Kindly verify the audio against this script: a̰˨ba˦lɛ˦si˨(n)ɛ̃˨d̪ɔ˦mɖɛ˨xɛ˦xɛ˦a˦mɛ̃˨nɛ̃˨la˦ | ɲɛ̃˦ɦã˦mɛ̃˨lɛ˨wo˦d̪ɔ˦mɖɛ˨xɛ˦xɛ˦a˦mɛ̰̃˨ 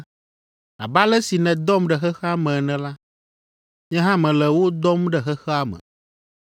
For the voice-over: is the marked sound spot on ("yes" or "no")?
yes